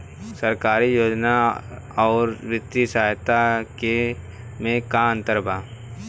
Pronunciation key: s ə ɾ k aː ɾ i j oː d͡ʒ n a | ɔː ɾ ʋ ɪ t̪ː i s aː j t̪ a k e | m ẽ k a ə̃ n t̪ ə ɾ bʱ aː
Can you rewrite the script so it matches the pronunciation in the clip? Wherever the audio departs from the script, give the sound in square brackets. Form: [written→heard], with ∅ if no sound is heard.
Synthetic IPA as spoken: s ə ɾ k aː ɾ i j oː d͡ʒ n a | ɔː ɾ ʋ ɪ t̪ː i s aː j t̪ a k e | m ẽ k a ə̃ n t̪ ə ɾ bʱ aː